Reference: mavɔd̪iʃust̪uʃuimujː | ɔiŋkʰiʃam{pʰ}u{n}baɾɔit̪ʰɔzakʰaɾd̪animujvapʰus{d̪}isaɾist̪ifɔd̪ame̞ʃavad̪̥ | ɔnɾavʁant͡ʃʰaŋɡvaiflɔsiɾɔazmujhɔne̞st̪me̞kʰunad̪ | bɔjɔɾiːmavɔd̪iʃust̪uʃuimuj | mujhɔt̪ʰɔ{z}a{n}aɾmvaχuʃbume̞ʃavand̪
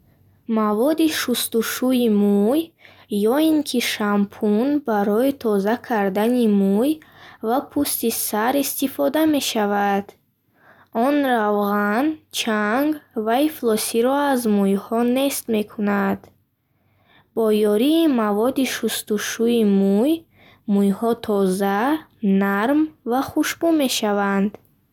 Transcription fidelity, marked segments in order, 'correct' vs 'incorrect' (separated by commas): correct, correct, incorrect, correct, correct